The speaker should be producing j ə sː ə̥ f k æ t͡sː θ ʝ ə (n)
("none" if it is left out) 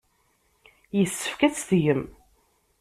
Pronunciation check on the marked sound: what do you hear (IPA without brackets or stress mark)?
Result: m